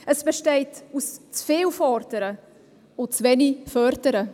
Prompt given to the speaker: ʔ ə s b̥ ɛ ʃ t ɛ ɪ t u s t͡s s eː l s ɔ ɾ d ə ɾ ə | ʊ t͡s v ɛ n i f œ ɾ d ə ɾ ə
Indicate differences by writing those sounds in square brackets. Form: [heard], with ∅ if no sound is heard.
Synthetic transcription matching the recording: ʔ ə s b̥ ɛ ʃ t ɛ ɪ t u s t͡s [f] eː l [f] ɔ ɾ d ə ɾ ə | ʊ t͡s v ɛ n i f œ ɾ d ə ɾ ə